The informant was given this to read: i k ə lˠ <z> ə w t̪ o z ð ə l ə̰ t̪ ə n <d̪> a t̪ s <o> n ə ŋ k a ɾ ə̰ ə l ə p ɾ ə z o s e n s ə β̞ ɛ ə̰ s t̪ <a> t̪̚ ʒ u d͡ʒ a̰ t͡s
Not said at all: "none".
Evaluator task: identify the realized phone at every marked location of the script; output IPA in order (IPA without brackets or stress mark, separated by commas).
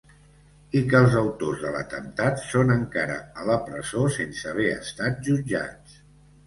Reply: z, t̪, o, a